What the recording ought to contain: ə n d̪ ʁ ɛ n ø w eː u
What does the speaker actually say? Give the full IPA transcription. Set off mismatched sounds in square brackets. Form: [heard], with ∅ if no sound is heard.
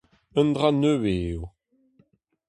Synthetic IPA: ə n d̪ ʁ [a] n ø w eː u